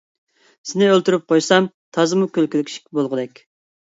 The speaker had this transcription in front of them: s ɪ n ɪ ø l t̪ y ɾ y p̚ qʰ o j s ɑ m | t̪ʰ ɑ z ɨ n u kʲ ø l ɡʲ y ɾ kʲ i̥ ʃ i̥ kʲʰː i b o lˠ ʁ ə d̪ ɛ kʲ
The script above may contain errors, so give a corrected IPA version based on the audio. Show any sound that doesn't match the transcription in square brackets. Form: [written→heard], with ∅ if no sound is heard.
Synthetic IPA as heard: s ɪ n ɪ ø l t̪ y ɾ y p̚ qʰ o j s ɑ m | t̪ʰ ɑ z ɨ [n→m] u kʲ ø l [ɡʲ→kʲ] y [ɾ→l] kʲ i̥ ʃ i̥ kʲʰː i b o lˠ ʁ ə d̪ ɛ kʲ